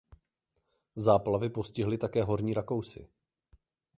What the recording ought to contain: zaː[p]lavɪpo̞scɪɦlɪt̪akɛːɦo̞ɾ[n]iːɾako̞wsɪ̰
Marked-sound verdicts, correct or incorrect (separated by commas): correct, incorrect